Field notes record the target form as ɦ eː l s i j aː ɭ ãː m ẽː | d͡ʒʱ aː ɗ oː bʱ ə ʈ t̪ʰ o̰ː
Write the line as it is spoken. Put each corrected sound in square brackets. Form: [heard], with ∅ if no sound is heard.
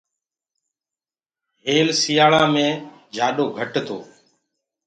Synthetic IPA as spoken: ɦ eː l s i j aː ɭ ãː m ẽː | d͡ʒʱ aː ɗ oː [ɡʱ] ə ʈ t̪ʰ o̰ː